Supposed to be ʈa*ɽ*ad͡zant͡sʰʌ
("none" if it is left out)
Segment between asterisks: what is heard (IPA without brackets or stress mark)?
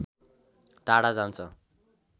ɽ